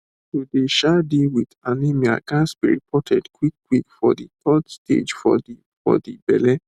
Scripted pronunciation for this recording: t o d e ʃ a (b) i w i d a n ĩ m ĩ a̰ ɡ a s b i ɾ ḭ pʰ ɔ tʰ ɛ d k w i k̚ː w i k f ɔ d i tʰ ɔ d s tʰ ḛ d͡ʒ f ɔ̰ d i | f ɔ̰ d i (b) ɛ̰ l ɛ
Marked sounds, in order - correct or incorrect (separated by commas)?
incorrect, correct